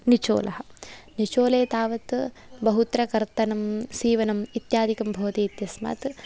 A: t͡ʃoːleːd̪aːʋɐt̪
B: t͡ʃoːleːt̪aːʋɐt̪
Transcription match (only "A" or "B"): B